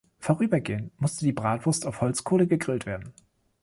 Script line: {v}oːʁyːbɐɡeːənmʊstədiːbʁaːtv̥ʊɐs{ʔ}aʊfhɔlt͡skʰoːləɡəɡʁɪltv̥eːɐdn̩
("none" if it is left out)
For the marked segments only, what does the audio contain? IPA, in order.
f, t

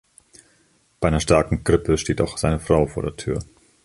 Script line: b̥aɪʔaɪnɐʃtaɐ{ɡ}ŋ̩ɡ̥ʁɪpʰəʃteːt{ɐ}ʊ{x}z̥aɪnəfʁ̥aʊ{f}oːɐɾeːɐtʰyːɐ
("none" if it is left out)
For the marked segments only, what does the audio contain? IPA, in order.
k, a, x, f

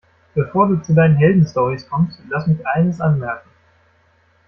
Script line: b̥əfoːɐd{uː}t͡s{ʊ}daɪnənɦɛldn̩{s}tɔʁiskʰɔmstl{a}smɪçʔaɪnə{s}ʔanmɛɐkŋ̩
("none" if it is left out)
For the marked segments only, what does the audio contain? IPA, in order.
uː, u, s, a, s

